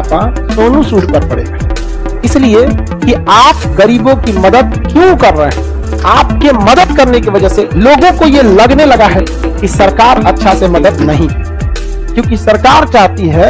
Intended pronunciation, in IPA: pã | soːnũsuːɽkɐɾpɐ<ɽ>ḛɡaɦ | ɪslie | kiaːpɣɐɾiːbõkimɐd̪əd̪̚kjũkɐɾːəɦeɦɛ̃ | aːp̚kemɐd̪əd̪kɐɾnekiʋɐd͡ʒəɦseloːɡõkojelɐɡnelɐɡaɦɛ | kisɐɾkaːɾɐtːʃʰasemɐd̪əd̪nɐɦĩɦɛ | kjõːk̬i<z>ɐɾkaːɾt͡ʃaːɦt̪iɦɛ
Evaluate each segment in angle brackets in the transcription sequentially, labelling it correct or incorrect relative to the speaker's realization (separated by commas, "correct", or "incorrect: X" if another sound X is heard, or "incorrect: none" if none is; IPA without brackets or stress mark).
correct, incorrect: s